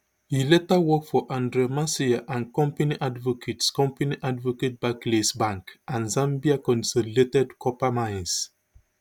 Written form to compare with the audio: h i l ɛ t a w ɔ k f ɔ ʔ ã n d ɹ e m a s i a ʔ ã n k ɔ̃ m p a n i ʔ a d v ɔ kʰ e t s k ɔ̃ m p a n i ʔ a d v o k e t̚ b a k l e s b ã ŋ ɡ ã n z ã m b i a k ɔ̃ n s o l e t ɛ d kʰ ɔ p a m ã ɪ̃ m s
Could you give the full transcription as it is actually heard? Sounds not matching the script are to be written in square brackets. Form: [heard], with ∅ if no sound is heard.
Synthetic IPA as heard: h i l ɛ t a w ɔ k f ɔ ʔ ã n d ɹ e m a s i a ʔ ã n k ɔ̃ m p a n i ʔ a d v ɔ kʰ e t s k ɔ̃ m p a n i ʔ a d v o k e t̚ b a k l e s b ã ŋ [k] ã n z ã m b i a k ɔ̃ n s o l e t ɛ d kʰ ɔ p a m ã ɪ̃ [n] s